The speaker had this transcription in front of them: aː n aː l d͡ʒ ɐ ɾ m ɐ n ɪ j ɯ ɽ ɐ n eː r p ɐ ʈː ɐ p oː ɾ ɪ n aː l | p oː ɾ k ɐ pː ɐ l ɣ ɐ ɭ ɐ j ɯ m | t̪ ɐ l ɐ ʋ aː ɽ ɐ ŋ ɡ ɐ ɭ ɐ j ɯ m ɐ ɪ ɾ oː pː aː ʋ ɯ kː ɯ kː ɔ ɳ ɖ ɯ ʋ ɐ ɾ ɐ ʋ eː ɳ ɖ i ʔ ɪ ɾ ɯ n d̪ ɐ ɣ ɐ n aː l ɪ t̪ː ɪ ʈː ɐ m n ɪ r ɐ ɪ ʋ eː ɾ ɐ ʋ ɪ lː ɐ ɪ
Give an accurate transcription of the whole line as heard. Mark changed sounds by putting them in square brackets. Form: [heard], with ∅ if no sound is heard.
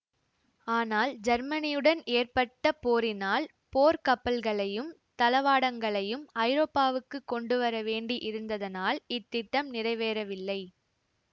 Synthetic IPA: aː n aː l d͡ʒ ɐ ɾ m ɐ n ɪ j ɯ ɽ ɐ n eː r p ɐ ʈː ɐ p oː ɾ ɪ n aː l | p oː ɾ k ɐ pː ɐ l ɣ ɐ ɭ ɐ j ɯ m | t̪ ɐ l ɐ ʋ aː ɽ ɐ ŋ ɡ ɐ ɭ ɐ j ɯ m ɐ ɪ ɾ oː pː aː ʋ ɯ kː ɯ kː ɔ ɳ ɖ ɯ ʋ ɐ ɾ ɐ ʋ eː ɳ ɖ i ʔ ɪ ɾ ɯ n d̪ ɐ [ð] ɐ n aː l ɪ t̪ː ɪ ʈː ɐ m n ɪ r ɐ ɪ ʋ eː ɾ ɐ ʋ ɪ lː ɐ ɪ